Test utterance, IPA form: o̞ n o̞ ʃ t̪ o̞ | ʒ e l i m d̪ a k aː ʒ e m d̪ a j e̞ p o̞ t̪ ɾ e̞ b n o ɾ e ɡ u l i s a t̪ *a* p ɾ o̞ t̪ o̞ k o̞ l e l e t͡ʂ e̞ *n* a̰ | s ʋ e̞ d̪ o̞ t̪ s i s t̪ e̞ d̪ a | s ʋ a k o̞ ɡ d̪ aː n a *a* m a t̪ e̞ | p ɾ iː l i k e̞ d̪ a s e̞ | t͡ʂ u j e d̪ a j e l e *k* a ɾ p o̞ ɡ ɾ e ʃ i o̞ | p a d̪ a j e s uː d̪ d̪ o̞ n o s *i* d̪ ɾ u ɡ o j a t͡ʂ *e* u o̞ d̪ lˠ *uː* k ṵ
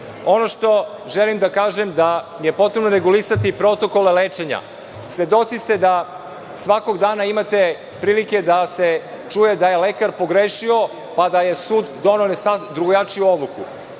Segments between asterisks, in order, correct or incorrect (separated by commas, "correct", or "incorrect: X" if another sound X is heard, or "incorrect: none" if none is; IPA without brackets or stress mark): incorrect: i, incorrect: ɲ, incorrect: i, correct, incorrect: a, incorrect: i, incorrect: u